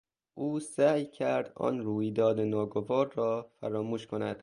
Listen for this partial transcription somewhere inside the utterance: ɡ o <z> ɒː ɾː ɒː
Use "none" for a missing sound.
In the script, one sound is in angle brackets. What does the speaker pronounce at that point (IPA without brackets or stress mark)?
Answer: v